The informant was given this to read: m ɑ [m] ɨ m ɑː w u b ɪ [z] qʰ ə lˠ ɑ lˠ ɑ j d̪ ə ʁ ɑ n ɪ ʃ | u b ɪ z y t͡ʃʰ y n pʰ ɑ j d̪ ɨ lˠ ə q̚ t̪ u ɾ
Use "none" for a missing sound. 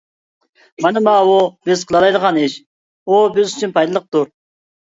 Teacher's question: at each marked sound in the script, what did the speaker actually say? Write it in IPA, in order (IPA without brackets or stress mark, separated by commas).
n, z